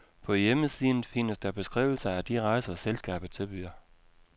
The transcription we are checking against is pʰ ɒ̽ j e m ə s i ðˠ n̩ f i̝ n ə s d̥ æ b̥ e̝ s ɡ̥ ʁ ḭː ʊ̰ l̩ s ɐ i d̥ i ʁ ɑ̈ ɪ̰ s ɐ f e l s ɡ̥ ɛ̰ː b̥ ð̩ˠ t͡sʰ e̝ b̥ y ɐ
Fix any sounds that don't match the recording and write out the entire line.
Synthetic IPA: pʰ ɒ̽ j e m ə s i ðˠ n̩ f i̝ n ə s d̥ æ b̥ e̝ s ɡ̥ ʁ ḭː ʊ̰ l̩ s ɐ æ d̥ i ʁ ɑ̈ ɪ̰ s ɐ s e l s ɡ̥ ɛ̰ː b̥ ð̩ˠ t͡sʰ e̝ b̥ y ɐ